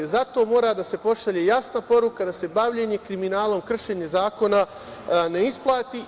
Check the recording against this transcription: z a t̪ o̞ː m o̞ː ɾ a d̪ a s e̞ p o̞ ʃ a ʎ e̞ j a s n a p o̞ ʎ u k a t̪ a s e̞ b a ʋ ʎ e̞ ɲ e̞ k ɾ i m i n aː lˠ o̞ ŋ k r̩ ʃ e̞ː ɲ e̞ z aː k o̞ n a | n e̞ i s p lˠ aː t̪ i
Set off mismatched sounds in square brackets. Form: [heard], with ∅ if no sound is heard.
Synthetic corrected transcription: z a t̪ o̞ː m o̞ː ɾ a d̪ a s e̞ p o̞ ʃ a ʎ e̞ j a s n a p o̞ [ɾ] u k a [d̪] a s e̞ b a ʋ ʎ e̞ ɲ e̞ k ɾ i m i n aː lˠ o̞ [m] k r̩ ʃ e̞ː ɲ e̞ z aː k o̞ n a | n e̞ i s p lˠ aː t̪ i